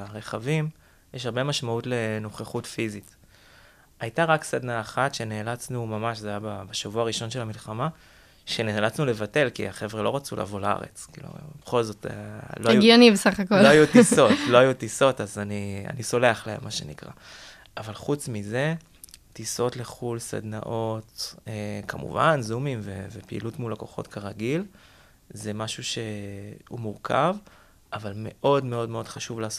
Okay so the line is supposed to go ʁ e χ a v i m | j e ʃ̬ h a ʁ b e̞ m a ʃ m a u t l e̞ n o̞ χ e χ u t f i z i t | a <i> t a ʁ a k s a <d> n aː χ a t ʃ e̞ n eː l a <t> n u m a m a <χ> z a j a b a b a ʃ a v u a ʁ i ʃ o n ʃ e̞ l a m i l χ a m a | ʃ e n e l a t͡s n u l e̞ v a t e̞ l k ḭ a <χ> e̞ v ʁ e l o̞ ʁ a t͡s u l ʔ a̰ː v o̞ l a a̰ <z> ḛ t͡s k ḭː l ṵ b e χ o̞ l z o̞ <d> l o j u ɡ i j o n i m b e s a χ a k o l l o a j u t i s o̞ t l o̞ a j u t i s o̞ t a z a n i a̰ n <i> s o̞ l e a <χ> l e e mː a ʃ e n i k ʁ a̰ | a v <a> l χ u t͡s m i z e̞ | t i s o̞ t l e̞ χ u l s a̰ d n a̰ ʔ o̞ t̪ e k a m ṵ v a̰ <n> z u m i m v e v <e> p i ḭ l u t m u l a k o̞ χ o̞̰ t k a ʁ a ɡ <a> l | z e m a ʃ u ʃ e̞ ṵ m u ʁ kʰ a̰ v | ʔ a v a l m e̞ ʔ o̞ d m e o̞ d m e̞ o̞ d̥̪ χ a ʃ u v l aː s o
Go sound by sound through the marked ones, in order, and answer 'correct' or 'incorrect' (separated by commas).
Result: incorrect, correct, incorrect, incorrect, correct, incorrect, incorrect, correct, correct, correct, correct, correct, incorrect